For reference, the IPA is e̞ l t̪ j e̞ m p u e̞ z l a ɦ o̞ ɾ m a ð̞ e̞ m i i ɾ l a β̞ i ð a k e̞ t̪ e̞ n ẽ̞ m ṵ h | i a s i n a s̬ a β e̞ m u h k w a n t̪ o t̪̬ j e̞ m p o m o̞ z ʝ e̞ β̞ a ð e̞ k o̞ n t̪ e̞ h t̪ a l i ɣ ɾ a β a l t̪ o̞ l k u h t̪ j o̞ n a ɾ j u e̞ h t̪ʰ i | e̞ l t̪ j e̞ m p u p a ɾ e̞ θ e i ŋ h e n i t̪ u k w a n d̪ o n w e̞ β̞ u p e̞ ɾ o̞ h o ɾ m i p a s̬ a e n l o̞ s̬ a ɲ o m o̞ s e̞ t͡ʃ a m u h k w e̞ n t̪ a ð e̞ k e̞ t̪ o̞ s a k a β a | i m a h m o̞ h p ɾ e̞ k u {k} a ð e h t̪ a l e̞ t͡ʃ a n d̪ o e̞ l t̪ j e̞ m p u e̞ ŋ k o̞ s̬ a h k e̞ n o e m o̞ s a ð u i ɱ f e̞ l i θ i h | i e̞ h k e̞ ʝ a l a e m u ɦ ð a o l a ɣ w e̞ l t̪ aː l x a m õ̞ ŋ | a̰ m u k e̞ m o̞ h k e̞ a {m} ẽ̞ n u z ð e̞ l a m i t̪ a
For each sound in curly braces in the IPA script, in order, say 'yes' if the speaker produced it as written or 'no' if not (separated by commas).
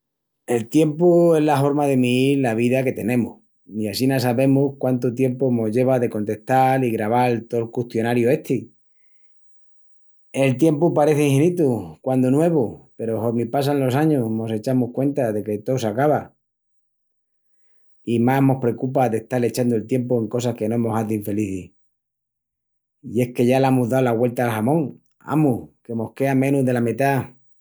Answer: no, yes